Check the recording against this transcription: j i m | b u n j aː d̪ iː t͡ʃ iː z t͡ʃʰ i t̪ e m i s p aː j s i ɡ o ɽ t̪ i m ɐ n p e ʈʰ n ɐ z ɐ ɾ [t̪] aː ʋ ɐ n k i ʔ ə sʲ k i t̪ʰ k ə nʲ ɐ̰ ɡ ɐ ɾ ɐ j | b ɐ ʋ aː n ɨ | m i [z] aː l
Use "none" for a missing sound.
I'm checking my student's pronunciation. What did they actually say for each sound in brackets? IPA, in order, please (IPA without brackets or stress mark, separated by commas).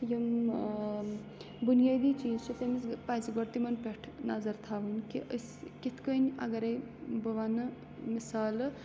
t̪ʰ, s